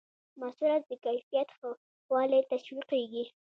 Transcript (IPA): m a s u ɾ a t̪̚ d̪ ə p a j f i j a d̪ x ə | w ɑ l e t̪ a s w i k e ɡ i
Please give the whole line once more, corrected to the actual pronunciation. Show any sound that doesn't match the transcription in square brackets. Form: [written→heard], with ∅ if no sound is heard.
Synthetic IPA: m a s u ɾ a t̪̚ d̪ ə [p→k] a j f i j a [d̪→t̪] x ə | w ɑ l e t̪ a [s→ʃ] w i [k→q] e ɡ i